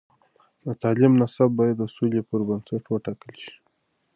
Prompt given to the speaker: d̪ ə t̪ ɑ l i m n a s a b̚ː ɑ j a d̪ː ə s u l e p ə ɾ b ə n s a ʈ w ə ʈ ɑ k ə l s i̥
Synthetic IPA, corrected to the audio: d̪ ə t̪ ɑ l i m n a s a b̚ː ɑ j a d̪ː ə s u l e p ə ɾ b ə n s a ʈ w ə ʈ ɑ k ə l ʃ i̥